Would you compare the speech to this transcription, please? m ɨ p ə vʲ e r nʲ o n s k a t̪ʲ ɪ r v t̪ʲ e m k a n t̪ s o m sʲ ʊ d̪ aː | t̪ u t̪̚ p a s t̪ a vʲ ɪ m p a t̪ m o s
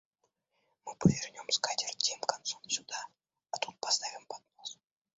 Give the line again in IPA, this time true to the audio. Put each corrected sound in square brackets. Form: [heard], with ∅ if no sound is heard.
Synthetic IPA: m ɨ p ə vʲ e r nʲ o [m] s k a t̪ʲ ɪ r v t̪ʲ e m k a n t̪ s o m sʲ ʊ d̪ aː | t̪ u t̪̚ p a s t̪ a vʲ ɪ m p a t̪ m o s